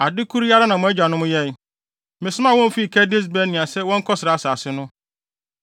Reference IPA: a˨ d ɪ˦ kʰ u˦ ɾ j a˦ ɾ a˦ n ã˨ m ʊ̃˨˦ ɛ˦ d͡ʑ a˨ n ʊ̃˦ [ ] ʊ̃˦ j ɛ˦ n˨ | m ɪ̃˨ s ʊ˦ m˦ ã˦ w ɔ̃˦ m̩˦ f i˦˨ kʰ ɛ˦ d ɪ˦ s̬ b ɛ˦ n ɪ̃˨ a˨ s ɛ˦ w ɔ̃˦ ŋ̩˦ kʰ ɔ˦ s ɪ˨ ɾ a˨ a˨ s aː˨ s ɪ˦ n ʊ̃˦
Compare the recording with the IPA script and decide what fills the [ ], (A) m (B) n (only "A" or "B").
A